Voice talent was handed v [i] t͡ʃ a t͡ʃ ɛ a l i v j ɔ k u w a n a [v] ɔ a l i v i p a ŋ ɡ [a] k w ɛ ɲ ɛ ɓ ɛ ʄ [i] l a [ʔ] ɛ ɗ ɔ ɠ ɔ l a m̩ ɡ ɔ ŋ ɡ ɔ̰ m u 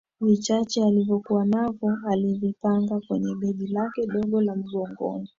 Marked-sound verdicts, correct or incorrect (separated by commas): correct, correct, correct, correct, incorrect